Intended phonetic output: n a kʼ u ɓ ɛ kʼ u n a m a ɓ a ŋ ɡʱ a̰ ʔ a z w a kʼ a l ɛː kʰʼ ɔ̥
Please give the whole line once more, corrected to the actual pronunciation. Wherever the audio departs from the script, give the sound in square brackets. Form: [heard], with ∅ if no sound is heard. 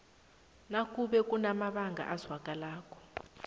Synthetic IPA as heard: n a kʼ u ɓ ɛ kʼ u n a m a ɓ a ŋ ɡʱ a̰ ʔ a z w a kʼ a l [aː] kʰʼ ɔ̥